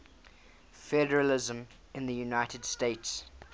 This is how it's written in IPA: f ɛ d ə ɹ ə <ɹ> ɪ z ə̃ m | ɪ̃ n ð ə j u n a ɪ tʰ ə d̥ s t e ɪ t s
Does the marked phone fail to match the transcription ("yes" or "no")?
yes